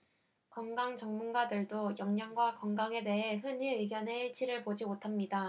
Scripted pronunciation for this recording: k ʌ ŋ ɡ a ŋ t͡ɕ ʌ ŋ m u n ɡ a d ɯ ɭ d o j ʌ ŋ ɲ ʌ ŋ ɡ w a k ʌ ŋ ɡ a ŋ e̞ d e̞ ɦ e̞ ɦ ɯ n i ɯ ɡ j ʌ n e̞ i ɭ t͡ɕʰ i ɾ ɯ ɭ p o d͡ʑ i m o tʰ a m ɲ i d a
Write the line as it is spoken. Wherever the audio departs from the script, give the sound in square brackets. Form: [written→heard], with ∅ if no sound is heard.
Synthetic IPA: k ʌ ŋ ɡ a ŋ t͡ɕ ʌ ŋ m u n ɡ a d ɯ ɭ d o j ʌ ŋ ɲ ʌ ŋ ɡ w a k ʌ ŋ ɡ a ŋ e̞ d e̞ ɦ e̞ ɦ ɯ n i ɯ ɡ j ʌ n e̞ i ɭ t͡ɕʰ i ɾ ɯ ɭ p o d͡ʑ i m o tʰ a m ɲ i d a